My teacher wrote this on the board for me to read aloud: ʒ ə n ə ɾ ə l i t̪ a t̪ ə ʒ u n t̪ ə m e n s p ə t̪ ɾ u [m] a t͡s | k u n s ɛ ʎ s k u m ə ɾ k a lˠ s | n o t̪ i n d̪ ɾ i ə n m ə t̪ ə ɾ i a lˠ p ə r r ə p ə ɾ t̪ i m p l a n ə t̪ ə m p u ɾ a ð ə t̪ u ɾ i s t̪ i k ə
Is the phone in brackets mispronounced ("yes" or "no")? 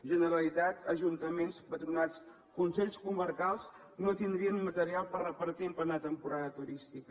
yes